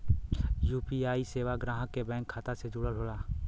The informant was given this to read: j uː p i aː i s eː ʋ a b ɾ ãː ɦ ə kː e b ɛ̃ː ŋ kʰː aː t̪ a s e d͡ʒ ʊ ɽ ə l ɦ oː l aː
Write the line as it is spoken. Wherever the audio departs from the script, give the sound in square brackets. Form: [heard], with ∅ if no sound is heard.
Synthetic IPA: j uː p i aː i s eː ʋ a [ɡ] ɾ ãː ɦ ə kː e b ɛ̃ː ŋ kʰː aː t̪ a s e d͡ʒ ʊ ɽ ə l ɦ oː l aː